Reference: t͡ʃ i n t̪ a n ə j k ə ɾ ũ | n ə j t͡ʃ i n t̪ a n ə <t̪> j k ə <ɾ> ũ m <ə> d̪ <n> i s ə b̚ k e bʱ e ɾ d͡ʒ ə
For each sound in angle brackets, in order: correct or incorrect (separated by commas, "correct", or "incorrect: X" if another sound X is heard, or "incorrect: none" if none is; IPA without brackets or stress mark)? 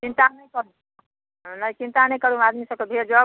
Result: incorrect: none, correct, incorrect: a, incorrect: m